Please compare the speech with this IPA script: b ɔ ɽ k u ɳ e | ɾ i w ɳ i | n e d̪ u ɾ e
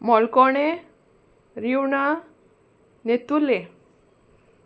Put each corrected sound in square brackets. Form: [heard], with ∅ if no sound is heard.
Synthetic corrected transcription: [m] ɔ [l] k [ɔ] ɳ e | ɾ i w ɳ [a] | n e [t̪] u [l] e